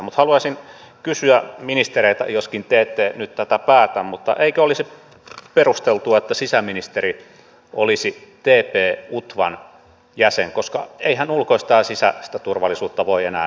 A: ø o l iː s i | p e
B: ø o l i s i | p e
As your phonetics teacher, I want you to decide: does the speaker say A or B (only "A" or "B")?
B